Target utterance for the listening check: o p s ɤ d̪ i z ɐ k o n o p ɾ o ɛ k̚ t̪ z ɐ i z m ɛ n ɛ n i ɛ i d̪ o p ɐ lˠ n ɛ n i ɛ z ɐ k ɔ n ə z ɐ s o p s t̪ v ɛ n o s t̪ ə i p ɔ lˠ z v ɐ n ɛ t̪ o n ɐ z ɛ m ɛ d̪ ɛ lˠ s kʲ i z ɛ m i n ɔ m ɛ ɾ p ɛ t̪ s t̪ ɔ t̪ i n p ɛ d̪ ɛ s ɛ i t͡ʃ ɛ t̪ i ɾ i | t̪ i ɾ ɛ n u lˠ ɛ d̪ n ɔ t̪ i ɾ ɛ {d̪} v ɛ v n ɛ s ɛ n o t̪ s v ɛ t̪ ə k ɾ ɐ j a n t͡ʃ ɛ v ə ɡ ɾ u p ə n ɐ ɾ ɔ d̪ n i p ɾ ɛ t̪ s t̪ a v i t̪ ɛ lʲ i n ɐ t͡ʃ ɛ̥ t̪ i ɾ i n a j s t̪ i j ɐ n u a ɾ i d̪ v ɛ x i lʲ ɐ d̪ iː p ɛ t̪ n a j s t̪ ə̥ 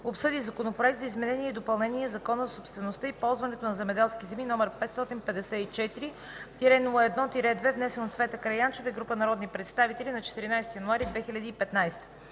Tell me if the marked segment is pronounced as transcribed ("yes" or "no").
yes